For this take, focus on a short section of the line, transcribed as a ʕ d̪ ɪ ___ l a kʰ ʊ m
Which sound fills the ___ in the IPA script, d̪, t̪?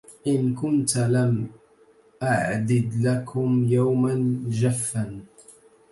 d̪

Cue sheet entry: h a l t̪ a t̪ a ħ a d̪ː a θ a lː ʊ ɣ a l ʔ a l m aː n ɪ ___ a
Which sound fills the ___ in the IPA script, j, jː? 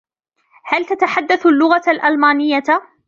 jː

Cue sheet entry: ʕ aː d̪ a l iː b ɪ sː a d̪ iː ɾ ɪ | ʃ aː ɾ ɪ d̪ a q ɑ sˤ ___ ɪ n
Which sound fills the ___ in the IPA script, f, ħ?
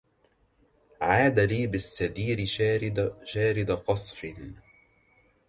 f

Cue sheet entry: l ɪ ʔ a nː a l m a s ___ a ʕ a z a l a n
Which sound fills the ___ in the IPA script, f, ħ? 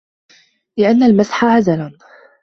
ħ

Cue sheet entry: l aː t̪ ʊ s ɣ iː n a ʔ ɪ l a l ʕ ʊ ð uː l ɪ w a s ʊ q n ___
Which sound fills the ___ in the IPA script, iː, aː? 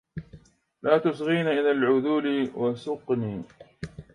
iː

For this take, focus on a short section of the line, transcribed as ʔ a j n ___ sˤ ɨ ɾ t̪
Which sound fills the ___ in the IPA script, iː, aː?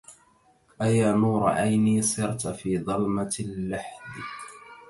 iː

